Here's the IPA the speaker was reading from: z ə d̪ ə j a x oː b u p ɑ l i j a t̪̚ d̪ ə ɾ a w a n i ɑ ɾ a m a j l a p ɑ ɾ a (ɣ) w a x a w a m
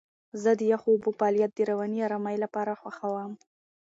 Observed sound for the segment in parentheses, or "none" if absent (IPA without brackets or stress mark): x